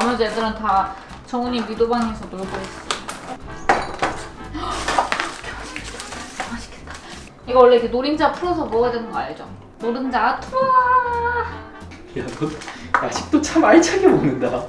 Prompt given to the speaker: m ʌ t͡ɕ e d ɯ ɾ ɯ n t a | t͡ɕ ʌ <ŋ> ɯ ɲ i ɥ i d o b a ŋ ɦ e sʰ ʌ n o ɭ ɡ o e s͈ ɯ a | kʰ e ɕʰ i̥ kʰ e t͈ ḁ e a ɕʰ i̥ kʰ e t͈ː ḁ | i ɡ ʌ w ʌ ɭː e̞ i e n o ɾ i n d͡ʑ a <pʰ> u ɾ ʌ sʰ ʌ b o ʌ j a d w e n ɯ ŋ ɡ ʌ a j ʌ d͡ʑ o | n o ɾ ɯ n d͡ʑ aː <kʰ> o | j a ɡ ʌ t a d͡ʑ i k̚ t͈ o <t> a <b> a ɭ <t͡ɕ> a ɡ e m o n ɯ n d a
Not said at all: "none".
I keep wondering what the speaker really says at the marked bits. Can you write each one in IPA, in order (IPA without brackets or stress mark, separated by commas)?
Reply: ŋ, pʰ, tʰ, t͡ɕʰ, m, t͡ɕʰ